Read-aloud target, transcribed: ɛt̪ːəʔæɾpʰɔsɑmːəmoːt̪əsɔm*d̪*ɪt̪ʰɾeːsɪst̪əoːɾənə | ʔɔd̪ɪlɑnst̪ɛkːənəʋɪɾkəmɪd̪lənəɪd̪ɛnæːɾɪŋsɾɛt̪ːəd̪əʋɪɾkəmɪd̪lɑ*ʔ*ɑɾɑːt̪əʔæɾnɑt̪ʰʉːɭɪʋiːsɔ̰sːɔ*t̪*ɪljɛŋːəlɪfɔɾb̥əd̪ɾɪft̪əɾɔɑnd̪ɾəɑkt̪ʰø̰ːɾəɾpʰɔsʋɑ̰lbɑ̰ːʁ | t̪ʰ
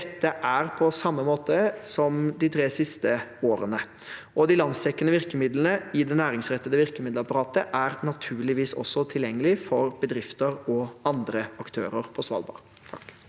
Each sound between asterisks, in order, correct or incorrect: correct, incorrect: p, incorrect: t̪ʰ

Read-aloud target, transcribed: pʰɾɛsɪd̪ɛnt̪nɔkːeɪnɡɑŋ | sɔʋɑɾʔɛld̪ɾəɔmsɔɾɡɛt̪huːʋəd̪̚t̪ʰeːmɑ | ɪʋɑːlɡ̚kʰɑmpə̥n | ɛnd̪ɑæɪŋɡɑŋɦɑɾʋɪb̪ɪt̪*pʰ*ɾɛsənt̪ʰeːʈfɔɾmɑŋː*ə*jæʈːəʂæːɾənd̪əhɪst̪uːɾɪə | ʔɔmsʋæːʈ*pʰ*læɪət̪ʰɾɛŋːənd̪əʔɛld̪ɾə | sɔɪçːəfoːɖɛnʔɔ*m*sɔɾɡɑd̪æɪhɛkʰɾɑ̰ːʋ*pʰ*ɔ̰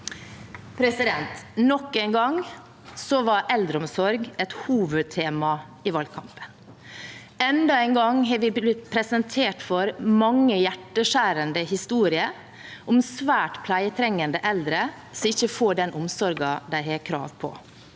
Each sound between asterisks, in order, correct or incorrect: correct, correct, correct, correct, correct

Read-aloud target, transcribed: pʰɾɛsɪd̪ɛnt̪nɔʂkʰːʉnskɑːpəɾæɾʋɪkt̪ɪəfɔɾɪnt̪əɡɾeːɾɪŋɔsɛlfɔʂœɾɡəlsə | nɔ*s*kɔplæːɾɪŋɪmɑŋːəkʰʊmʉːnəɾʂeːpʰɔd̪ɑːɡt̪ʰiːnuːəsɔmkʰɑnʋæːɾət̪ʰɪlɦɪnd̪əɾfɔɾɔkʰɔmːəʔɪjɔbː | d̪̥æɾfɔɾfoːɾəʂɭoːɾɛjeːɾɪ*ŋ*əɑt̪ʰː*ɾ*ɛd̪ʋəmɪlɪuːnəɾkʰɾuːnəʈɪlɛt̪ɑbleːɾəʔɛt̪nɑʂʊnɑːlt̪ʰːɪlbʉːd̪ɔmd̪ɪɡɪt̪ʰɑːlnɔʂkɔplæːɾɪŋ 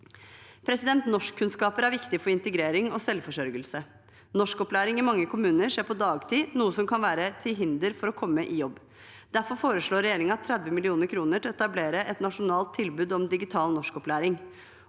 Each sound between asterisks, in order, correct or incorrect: incorrect: ʂ, correct, correct

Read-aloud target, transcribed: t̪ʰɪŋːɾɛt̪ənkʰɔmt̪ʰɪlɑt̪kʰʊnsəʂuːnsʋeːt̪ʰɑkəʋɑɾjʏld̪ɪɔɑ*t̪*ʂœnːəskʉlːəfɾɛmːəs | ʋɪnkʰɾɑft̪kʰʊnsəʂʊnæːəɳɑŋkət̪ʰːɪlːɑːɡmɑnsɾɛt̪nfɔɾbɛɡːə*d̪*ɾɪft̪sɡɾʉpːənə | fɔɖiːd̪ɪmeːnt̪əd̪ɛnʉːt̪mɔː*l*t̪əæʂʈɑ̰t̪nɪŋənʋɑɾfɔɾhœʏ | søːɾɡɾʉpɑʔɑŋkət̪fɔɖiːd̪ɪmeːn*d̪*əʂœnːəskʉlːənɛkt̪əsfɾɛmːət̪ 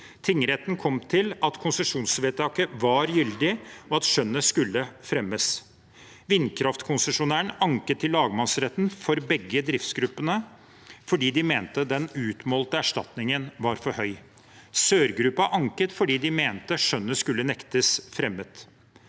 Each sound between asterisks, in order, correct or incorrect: correct, correct, correct, incorrect: t̪

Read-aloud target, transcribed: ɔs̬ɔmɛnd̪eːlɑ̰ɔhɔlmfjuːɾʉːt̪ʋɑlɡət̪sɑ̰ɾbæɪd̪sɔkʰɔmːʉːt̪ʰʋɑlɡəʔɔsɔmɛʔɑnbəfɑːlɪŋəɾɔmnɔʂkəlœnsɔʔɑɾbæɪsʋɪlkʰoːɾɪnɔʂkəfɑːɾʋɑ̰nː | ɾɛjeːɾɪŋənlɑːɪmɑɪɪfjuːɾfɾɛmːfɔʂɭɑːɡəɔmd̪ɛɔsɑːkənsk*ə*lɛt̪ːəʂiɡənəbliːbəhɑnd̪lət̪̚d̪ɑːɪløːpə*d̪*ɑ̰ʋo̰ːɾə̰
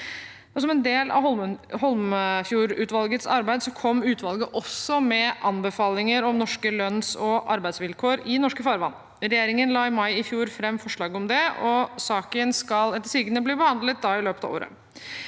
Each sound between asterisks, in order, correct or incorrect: incorrect: ɑ, incorrect: t̪

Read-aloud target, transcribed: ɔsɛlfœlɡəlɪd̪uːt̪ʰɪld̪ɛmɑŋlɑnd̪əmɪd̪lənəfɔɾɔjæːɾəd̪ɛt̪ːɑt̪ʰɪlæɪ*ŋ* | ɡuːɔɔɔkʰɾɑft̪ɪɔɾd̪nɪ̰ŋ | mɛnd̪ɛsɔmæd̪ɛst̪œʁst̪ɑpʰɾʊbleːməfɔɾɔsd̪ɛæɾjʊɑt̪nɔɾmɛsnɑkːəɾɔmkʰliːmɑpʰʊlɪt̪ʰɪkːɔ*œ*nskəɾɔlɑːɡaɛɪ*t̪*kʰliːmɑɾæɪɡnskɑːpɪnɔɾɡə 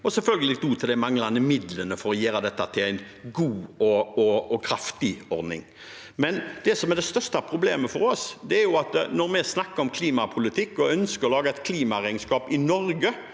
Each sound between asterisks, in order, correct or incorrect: incorrect: n, correct, correct

